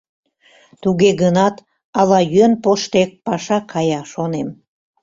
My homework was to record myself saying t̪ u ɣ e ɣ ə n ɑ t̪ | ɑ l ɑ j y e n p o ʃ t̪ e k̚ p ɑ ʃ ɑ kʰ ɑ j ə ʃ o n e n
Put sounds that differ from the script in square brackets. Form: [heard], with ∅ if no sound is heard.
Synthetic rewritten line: t̪ u ɣ e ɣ ə n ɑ t̪ | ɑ l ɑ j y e n p o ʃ t̪ e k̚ p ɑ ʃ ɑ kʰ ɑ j [ɑ] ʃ o n e [m]